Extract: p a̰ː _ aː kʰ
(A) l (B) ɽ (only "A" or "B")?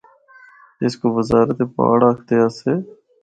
B